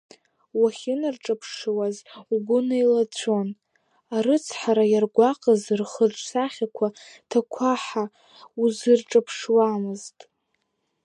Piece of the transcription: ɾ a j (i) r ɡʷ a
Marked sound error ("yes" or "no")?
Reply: yes